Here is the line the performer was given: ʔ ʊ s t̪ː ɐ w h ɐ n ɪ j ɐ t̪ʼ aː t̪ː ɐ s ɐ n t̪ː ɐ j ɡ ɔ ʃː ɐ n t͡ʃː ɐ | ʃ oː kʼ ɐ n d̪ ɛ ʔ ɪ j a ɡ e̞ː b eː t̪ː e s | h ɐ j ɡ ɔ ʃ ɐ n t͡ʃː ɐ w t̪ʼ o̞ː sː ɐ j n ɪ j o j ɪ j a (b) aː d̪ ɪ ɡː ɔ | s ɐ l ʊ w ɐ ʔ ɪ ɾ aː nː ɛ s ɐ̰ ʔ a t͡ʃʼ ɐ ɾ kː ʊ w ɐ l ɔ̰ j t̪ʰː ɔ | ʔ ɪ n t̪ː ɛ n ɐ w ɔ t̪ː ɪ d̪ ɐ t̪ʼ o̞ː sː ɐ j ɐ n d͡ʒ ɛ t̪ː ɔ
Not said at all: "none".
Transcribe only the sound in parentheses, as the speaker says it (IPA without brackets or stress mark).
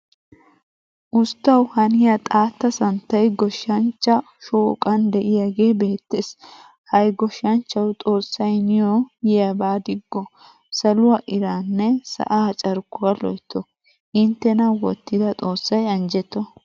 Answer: b